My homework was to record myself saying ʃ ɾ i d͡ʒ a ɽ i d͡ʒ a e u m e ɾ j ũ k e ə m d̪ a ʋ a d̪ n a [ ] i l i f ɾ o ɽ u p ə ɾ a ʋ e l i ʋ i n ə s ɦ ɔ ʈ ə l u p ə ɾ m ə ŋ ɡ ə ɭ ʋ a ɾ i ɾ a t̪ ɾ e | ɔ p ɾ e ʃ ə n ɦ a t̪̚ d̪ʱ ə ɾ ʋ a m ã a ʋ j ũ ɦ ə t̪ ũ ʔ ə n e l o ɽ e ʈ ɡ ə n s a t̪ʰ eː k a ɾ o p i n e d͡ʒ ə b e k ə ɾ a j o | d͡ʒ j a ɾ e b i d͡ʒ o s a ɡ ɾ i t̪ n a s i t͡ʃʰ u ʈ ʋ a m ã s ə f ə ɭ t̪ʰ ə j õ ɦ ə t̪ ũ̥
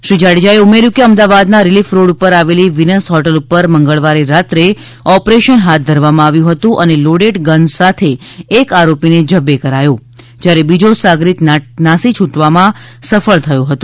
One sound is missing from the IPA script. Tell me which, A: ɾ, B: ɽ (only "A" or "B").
A